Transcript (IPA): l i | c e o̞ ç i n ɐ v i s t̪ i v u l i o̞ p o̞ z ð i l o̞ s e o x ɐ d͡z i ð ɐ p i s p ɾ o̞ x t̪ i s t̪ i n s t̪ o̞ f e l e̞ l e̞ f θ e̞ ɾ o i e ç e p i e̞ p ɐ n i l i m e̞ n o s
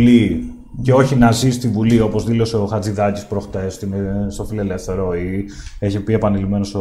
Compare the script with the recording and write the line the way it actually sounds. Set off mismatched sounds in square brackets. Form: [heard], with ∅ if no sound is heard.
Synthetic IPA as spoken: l i | c e o̞ ç i n ɐ [z] i s t̪ i v u l i o̞ p o̞ z ð i l o̞ s e o x ɐ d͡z i ð ɐ [c] i s p ɾ o̞ x t̪ [e] s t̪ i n s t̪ o̞ f [i] l e̞ l e̞ f θ e̞ ɾ o i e ç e p i e̞ p ɐ n i l i m e̞ n o s